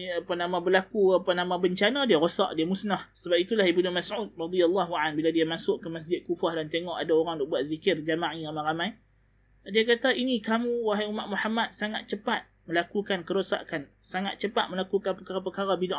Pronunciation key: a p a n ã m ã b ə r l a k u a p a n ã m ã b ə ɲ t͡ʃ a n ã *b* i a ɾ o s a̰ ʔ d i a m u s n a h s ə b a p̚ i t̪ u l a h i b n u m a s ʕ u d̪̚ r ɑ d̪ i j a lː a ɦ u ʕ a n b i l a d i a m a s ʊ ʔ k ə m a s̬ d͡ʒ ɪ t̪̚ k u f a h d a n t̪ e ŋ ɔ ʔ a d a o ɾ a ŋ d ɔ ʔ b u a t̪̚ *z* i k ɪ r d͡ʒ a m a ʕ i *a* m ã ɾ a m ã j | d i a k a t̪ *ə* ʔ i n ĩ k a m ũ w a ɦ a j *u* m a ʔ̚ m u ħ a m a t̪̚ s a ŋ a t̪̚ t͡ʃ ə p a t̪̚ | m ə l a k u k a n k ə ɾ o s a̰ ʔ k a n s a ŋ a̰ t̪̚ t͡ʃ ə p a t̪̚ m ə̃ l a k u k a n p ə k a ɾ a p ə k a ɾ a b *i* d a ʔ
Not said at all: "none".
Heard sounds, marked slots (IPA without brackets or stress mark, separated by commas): d, z, a, a, u, i